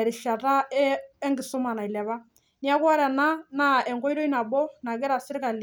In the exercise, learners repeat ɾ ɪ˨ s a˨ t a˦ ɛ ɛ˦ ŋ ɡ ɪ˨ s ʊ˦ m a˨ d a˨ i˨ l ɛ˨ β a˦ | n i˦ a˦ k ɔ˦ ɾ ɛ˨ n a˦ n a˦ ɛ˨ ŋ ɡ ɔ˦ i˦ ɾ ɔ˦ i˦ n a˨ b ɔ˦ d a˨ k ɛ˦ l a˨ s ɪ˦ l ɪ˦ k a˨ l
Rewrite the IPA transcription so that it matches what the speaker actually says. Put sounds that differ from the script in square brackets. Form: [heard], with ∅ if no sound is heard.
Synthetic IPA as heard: ɾ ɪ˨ [ʃ] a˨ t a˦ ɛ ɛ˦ ŋ ɡ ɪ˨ s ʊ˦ m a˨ [n] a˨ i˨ l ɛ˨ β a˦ | n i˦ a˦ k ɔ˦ ɾ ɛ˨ n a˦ n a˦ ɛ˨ ŋ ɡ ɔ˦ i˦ ɾ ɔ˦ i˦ n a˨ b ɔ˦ [n] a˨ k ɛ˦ [ɾ] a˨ s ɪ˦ [ɾ] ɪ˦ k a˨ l